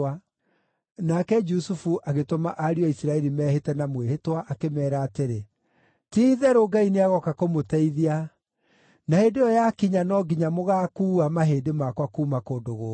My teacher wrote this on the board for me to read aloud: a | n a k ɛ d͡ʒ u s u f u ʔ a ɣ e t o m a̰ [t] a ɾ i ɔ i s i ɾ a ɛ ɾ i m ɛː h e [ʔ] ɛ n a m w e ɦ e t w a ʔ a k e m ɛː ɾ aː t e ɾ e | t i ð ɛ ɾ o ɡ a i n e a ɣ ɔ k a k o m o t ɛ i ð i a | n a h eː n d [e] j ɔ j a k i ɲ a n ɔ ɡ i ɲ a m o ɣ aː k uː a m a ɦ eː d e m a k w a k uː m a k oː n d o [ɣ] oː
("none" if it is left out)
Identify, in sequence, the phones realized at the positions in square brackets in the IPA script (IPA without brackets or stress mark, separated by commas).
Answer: ʔ, t, e, ɣ